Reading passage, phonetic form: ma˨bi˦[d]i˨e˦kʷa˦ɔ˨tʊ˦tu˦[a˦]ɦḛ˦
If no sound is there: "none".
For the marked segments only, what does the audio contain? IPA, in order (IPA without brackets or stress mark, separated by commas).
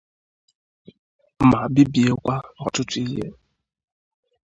b, i˦